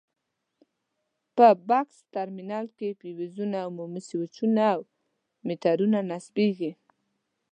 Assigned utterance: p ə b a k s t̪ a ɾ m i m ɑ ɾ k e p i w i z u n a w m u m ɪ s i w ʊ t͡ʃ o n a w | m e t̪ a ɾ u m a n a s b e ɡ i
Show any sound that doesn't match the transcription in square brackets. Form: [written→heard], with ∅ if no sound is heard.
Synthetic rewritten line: p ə b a k s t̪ a ɾ m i [m→n] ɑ [ɾ→l] k e p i w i z u n a w m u m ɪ s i w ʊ t͡ʃ [o→u] n a w | m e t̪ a ɾ u [m→n] a n a s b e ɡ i